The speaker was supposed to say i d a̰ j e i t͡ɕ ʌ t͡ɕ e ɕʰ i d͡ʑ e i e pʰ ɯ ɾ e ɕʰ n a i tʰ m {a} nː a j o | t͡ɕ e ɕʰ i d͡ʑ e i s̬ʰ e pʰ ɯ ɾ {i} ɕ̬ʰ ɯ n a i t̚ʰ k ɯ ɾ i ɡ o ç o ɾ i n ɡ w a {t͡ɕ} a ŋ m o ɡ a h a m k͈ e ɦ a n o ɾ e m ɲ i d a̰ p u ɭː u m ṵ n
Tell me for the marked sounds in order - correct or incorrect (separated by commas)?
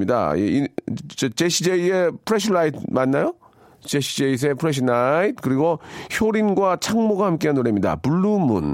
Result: correct, incorrect, incorrect